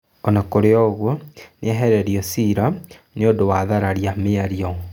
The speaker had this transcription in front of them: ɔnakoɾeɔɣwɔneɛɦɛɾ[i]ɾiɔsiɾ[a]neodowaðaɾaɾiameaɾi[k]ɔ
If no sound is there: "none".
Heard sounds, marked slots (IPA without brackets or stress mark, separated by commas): ɛ, a, none